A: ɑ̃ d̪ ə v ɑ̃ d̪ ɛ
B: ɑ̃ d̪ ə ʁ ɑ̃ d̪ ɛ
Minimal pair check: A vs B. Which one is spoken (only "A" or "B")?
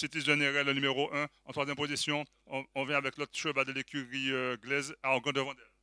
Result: A